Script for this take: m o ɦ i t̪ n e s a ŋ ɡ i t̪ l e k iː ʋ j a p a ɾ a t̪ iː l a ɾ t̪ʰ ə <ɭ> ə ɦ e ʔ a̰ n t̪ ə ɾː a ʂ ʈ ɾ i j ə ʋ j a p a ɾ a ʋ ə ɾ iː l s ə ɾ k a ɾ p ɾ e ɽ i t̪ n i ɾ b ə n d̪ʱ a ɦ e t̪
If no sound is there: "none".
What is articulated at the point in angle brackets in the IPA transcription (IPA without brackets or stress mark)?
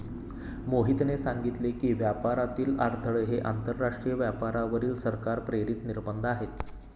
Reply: ɭ